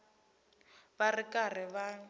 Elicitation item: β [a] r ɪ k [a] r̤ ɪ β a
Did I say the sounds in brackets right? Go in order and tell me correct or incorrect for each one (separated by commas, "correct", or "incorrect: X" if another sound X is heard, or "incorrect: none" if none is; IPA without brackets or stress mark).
correct, correct